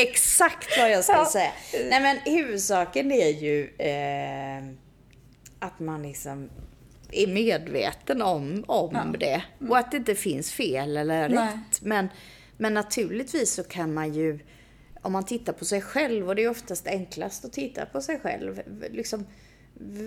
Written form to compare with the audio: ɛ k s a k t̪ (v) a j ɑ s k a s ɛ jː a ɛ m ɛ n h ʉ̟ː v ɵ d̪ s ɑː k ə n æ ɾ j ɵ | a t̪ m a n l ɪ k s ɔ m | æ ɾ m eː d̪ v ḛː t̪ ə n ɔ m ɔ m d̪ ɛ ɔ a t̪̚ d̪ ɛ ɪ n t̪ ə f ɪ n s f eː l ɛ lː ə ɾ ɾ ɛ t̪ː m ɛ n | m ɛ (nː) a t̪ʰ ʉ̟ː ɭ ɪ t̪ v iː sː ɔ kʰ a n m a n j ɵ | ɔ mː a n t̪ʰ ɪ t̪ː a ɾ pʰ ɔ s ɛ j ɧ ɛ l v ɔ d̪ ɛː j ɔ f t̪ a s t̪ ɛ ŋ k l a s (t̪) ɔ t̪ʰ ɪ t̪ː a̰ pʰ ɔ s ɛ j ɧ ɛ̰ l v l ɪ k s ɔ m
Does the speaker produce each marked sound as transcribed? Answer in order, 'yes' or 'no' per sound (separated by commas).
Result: yes, yes, yes